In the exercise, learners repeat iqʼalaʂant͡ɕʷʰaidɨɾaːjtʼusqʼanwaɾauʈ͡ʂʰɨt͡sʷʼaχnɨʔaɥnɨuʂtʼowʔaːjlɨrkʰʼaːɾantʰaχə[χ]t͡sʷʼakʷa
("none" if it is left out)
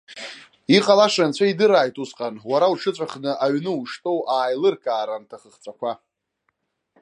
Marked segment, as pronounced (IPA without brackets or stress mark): χ